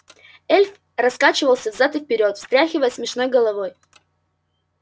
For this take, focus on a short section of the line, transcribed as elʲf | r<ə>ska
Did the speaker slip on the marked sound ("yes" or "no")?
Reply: yes